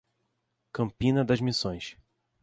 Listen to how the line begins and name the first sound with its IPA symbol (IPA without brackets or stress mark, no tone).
k